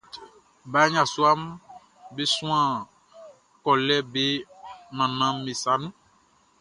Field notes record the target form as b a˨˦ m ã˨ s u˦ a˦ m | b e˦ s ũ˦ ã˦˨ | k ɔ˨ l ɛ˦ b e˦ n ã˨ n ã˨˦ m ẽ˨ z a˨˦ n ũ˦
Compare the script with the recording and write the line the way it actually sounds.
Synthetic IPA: b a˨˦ ɲ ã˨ s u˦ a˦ m | b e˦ s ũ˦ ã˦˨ | k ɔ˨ l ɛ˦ b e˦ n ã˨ n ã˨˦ m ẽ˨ s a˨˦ n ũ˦